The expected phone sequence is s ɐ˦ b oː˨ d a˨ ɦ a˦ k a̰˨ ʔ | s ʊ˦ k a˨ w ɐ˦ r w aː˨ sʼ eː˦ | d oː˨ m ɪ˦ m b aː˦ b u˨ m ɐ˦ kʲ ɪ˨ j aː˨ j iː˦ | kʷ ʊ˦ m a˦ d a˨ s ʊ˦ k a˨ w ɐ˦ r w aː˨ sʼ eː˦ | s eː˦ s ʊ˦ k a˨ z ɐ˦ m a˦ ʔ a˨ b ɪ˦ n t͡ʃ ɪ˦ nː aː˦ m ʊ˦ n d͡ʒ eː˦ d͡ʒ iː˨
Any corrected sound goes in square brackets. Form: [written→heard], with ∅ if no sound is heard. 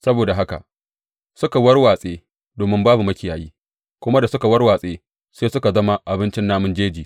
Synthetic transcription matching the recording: s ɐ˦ b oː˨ d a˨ ɦ a˦ k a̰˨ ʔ | s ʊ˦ k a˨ w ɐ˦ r w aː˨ sʼ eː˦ | d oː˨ m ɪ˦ m b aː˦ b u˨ m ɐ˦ kʲ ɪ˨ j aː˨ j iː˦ | kʷ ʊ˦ m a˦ d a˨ s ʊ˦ k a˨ w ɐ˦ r w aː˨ sʼ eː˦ | s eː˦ s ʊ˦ k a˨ z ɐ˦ m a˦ ʔ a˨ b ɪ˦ n t͡ʃ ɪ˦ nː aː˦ m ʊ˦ n d͡ʒ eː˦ d͡ʒ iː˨